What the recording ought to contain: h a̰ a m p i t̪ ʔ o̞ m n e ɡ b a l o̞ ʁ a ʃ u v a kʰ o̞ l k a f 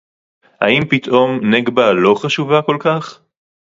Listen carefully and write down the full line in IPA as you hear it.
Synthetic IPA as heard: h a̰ i m p i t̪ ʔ o̞ m n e ɡ b a l o̞ χ a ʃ u v a k o̞ l k a χ